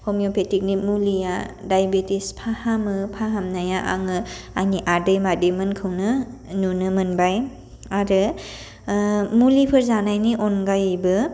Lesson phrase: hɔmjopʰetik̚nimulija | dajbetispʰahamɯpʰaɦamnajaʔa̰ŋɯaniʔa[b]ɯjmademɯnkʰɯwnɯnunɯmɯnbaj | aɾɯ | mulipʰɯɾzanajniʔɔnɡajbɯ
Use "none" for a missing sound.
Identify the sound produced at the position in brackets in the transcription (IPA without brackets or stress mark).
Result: d